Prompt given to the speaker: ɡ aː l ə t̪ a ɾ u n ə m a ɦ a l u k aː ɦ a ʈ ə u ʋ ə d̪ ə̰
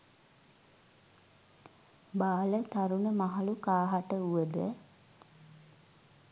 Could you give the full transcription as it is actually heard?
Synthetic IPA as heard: b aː l ə t̪ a ɾ u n ə m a ɦ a l u k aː ɦ a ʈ ə u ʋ ə d̪ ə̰